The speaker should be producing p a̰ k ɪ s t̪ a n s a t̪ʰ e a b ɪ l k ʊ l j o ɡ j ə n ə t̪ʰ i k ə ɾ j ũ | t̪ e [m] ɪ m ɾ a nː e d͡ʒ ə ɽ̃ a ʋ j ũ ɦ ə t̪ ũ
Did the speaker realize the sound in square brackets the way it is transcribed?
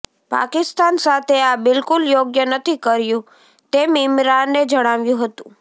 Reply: yes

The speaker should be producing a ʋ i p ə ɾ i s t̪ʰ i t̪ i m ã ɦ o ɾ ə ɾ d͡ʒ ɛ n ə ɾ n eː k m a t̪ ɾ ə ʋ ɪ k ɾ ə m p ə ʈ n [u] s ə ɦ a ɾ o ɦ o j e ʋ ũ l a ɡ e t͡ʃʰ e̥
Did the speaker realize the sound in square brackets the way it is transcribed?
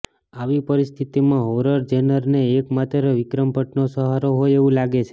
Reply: no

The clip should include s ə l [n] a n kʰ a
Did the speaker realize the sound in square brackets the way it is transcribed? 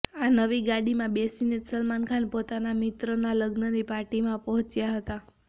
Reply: no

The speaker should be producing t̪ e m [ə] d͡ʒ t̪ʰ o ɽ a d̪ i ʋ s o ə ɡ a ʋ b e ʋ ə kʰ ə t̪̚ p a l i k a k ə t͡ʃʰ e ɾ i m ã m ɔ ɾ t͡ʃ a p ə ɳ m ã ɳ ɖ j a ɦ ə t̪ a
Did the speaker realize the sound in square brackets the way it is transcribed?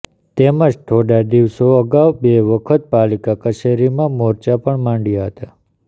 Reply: yes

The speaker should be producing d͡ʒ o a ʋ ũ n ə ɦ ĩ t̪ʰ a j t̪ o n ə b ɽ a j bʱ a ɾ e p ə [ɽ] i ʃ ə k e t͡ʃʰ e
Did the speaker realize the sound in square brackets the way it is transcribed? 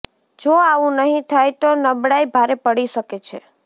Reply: yes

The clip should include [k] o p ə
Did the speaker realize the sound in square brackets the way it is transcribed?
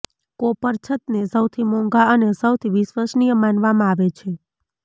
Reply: yes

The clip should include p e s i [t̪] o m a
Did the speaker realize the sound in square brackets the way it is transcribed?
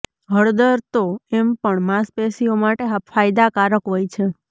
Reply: no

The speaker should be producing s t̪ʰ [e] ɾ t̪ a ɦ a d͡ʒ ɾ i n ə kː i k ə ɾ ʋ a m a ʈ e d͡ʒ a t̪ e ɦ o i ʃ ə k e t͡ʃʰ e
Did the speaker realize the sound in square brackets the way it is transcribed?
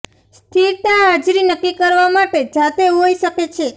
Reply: no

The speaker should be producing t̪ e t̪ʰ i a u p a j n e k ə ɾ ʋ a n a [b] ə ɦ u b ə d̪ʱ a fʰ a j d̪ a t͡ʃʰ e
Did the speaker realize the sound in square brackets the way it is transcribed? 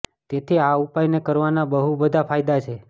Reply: yes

